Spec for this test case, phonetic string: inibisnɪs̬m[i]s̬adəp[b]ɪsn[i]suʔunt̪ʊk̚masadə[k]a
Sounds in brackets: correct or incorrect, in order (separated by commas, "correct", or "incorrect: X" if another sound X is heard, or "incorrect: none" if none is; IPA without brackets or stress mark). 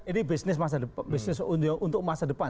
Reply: incorrect: a, correct, incorrect: ɪ, incorrect: p